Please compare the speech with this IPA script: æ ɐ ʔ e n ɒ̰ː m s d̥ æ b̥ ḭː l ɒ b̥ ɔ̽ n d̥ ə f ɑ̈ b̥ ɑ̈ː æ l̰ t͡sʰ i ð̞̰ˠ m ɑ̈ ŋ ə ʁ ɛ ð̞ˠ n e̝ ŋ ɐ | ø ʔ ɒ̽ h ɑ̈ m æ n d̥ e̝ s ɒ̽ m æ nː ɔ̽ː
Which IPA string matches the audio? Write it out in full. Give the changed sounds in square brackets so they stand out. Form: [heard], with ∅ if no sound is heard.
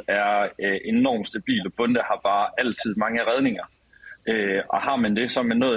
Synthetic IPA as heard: æ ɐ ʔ e n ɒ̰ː m s d̥ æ b̥ ḭː l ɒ b̥ ɔ̽ n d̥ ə [h] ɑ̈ b̥ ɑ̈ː æ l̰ t͡sʰ i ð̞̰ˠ m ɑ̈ ŋ ə ʁ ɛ ð̞ˠ n e̝ ŋ ɐ | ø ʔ ɒ̽ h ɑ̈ m æ n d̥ e̝ s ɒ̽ m æ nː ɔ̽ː